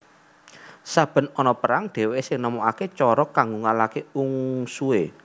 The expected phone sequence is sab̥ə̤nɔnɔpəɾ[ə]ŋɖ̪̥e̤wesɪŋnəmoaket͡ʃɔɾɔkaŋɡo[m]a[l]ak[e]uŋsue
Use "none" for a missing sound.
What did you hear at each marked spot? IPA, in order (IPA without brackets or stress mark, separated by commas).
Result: a, ŋ, l, e